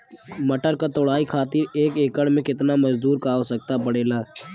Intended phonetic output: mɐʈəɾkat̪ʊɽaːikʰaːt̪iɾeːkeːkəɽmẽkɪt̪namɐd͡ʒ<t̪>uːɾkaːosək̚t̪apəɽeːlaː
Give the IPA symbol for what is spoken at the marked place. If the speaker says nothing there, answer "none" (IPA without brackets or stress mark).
d̪